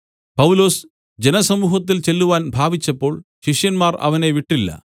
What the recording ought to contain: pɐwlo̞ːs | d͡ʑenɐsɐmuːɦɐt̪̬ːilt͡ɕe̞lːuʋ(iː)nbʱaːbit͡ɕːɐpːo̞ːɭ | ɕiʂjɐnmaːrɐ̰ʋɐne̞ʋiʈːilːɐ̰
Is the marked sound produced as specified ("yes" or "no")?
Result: no